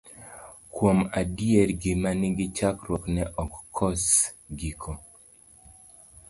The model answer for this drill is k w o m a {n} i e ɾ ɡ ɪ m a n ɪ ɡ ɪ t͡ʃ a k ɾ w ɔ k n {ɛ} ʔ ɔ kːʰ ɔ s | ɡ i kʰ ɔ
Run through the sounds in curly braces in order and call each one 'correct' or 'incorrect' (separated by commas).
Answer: incorrect, correct